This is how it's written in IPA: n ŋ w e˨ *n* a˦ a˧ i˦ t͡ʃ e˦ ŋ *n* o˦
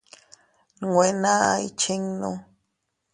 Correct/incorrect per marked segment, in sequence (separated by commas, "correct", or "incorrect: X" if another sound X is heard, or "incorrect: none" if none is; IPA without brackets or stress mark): correct, correct